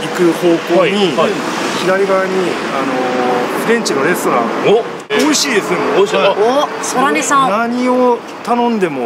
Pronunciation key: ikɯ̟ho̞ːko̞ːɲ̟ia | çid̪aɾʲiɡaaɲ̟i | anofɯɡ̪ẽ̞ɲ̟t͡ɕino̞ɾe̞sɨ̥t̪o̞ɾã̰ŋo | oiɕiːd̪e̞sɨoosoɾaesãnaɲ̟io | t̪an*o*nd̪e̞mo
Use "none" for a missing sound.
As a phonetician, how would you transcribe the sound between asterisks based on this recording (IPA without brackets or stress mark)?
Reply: õ